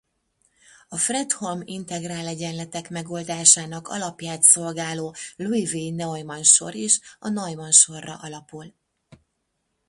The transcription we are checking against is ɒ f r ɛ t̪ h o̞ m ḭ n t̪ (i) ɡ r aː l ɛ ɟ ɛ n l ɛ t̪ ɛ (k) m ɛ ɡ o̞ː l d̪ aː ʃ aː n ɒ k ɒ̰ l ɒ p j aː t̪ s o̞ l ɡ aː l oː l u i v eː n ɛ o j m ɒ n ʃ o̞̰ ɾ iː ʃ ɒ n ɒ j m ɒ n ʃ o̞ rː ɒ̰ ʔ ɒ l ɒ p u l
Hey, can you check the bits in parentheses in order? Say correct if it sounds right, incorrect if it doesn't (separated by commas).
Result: incorrect, correct